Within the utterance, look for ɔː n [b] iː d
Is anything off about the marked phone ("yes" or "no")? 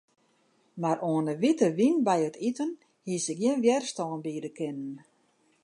no